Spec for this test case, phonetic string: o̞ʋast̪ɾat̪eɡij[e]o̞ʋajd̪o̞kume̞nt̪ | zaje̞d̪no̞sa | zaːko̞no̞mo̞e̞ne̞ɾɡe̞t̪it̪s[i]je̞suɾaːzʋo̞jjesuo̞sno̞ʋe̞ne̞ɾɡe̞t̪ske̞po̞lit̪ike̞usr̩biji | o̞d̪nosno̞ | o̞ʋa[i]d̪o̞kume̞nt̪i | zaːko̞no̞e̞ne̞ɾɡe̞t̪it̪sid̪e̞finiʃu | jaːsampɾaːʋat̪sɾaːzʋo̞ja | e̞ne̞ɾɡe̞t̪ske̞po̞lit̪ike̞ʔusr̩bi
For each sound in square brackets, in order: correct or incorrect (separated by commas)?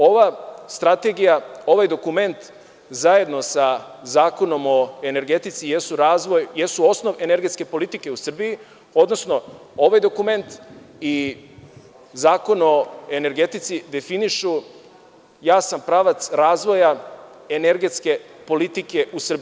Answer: incorrect, correct, incorrect